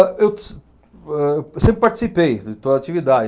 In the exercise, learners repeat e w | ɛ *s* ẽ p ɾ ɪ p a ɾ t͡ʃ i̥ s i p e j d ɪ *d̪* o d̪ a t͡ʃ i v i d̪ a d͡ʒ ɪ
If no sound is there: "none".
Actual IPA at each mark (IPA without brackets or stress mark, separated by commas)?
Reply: s, t̪